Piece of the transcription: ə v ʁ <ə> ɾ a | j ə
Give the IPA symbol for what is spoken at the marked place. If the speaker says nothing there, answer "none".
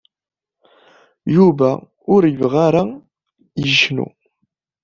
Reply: a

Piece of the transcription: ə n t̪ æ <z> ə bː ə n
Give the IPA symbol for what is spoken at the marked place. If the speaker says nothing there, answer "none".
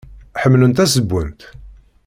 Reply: s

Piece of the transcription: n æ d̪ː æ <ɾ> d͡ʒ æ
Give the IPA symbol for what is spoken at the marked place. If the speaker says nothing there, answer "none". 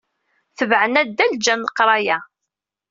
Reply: l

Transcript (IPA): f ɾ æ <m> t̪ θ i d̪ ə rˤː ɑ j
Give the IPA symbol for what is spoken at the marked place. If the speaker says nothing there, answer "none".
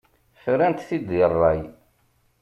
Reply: n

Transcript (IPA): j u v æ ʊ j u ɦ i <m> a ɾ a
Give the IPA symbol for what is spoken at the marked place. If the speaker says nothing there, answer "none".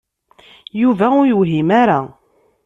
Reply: m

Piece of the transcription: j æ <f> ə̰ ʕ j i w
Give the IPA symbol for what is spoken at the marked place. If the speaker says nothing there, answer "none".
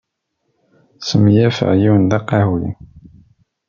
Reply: f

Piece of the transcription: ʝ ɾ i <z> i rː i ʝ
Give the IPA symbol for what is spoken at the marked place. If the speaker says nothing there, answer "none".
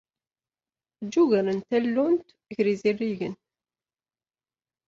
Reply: z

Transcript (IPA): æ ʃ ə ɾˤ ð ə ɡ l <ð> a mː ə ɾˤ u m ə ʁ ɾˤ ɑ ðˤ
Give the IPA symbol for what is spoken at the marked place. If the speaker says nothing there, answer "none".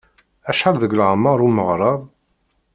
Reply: ʕ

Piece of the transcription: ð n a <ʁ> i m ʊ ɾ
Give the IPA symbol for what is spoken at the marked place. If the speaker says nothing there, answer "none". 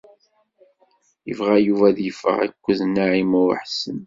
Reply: ʕ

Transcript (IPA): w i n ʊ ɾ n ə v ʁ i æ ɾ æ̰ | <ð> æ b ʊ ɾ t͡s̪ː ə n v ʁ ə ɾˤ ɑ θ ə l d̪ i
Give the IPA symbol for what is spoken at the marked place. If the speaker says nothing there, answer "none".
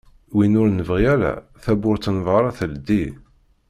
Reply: θ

